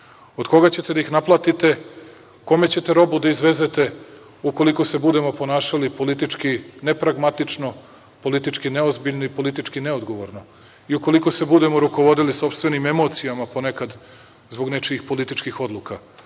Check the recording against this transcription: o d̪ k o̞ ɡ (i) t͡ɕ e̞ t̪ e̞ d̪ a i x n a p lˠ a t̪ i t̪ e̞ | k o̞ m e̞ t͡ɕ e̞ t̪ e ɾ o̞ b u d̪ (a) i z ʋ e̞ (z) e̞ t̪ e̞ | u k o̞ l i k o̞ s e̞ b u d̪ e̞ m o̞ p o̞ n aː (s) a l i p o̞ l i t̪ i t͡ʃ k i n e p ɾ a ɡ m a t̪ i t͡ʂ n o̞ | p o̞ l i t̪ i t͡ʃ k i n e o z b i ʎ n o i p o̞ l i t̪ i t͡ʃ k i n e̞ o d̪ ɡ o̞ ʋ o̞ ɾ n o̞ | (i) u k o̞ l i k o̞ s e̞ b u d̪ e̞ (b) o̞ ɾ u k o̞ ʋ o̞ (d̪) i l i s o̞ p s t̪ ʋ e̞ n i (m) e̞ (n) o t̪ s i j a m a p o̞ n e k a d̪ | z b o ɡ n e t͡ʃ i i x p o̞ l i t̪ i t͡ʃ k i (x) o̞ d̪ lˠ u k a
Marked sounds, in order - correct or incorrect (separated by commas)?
incorrect, correct, correct, incorrect, correct, incorrect, correct, correct, incorrect, correct